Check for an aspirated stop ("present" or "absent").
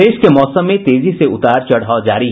absent